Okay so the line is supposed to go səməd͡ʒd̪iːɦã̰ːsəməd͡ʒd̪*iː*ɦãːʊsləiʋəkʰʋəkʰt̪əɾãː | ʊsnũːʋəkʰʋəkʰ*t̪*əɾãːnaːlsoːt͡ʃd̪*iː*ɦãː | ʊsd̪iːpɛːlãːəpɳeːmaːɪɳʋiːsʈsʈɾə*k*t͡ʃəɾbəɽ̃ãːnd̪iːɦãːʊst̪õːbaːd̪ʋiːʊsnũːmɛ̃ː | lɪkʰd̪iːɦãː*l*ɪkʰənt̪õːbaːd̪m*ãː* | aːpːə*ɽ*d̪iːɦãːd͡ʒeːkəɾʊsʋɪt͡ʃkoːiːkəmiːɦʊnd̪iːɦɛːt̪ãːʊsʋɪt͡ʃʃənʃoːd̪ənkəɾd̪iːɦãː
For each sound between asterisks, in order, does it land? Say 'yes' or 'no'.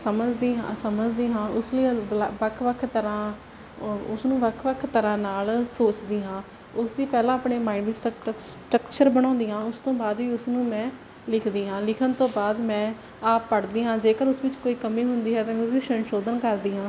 yes, yes, yes, yes, yes, no, yes

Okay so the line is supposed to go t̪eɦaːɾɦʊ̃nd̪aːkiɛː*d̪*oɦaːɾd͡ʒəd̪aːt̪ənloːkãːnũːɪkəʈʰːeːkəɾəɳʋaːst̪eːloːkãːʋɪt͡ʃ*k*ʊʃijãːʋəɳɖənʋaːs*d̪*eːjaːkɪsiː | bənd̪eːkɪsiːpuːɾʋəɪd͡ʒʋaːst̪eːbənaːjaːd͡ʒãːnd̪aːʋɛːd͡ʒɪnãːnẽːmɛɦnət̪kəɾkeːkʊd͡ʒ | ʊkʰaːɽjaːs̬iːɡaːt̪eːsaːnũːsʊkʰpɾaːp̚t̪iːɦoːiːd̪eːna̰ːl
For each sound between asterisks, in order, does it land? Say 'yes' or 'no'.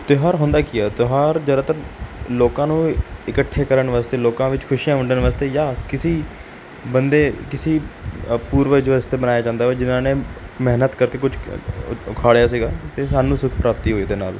no, no, no

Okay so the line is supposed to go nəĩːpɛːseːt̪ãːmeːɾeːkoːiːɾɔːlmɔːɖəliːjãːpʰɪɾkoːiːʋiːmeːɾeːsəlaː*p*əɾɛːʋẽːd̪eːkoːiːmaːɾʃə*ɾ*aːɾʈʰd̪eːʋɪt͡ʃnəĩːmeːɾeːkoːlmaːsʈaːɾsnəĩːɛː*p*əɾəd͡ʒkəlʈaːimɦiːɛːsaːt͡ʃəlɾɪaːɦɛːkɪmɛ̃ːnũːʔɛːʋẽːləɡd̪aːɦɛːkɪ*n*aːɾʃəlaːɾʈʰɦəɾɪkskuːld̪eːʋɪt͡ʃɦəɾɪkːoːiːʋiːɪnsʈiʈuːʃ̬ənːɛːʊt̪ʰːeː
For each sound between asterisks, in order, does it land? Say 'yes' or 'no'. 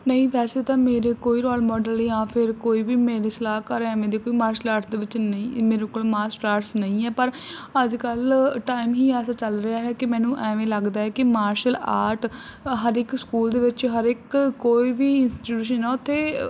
no, no, yes, no

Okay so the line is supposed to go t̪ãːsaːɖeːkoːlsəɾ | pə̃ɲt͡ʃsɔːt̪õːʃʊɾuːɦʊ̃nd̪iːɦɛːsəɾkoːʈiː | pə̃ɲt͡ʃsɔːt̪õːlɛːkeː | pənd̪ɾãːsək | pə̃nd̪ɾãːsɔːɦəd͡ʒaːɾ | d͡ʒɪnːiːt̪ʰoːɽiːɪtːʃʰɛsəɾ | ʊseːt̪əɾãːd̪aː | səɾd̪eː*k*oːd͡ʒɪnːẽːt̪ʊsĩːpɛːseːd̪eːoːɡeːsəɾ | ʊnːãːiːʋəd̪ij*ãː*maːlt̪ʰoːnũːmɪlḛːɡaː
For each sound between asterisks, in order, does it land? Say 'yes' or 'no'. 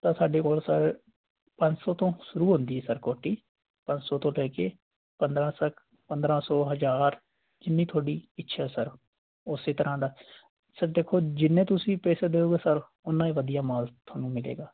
no, no

